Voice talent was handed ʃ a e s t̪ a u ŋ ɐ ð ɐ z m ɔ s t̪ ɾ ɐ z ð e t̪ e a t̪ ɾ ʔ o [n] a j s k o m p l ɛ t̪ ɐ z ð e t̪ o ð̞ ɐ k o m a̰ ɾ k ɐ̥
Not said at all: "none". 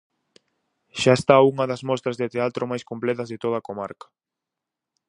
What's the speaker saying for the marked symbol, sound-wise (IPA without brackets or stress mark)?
m